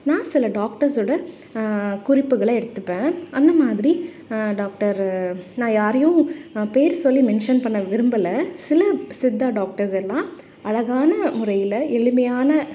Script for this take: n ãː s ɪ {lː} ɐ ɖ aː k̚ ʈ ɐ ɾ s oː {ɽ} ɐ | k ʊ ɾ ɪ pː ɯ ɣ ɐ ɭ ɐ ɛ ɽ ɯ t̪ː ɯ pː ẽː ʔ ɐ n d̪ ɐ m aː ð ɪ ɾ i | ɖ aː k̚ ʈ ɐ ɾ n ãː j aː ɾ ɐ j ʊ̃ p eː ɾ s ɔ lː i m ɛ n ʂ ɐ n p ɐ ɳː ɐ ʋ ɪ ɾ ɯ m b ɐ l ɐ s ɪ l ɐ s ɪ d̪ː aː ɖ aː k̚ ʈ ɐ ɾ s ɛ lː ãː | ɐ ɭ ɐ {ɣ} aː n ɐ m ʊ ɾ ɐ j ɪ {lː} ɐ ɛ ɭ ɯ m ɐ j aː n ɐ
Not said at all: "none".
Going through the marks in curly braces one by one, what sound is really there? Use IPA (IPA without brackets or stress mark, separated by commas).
l, ɽ, ɣ, l